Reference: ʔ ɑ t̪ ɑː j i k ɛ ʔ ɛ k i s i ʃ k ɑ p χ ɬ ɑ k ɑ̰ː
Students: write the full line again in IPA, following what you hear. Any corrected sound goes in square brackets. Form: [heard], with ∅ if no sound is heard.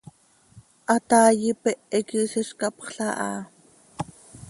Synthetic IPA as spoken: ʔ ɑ t̪ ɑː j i [p] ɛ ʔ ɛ k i s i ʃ k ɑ p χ ɬ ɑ [ʔ] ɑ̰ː